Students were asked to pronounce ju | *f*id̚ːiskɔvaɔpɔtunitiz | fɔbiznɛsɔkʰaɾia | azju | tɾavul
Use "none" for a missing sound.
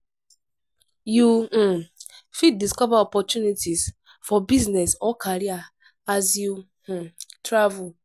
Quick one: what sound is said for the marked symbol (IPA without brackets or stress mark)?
f